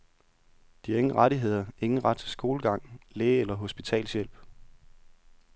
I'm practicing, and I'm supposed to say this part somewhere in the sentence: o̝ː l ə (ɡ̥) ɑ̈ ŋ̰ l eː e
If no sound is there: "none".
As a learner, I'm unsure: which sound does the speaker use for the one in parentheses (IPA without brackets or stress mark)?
ɡ̥